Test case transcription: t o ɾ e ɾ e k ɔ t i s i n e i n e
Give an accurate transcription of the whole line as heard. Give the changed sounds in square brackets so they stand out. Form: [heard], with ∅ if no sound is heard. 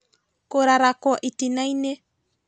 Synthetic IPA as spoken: [k] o ɾ [a] ɾ [a] k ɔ [ʔ] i [t] i n [a] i n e